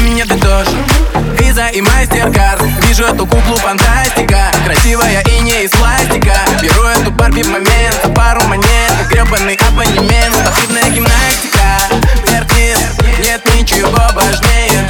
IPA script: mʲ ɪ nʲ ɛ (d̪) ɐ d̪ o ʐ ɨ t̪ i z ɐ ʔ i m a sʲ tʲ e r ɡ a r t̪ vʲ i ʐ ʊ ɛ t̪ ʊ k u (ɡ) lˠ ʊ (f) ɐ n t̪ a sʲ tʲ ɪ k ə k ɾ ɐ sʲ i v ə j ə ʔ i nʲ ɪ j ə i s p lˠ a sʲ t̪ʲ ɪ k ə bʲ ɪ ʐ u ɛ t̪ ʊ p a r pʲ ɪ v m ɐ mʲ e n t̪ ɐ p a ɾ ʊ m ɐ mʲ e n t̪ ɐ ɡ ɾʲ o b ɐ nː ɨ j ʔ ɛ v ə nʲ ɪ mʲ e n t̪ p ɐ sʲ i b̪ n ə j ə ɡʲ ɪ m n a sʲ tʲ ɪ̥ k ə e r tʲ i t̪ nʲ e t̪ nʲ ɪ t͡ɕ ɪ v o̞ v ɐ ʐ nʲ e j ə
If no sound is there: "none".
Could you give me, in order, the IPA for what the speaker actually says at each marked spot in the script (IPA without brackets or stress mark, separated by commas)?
d̪, k, f